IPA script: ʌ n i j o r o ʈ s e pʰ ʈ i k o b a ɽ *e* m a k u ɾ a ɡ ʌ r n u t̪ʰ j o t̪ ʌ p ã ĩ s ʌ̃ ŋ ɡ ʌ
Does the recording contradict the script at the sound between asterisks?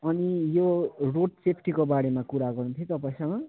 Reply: no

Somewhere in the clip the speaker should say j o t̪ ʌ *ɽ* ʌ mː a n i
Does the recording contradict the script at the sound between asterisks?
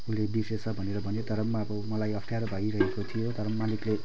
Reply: yes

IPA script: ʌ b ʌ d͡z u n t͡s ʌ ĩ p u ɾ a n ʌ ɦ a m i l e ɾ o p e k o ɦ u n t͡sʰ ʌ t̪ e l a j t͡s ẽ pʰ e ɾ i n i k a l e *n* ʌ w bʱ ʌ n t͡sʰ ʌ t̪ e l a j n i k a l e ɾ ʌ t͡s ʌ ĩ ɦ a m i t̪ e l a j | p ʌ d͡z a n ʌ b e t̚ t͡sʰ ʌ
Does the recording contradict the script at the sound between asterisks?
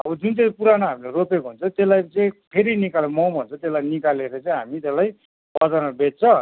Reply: yes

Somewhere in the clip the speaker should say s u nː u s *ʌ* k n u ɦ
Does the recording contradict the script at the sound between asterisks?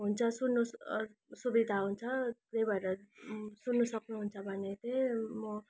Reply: no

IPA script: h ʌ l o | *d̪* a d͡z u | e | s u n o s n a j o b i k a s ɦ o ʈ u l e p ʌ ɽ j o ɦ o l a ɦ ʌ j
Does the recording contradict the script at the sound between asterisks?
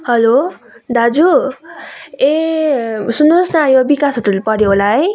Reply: no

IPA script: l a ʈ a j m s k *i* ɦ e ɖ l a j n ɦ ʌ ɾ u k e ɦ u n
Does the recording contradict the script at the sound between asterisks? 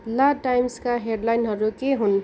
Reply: yes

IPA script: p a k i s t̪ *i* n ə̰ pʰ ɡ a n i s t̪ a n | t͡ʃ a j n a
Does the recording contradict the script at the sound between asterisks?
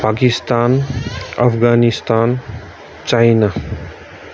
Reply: yes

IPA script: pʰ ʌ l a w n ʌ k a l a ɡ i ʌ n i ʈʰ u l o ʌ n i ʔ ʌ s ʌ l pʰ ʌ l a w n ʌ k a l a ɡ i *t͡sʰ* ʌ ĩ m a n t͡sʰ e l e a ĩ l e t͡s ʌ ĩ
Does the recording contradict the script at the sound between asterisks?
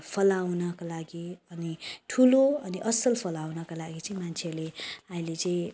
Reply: yes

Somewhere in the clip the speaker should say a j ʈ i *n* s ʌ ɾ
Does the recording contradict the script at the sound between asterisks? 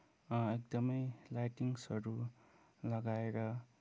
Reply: yes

